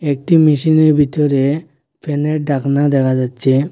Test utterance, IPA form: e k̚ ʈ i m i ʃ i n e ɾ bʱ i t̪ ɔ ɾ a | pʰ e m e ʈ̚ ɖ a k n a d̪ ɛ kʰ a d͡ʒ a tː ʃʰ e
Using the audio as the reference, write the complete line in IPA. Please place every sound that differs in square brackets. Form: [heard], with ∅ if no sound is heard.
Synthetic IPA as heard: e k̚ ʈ i m i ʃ i n e ɾ bʱ i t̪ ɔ ɾ [e] | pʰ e [n] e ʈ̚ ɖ a k n a d̪ ɛ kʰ a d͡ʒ a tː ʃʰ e